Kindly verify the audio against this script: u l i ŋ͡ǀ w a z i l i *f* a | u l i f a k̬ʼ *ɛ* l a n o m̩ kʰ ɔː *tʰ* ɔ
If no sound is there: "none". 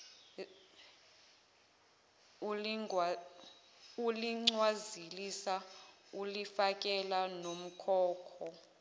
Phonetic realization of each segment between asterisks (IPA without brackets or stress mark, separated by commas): s, ɛ, kʰ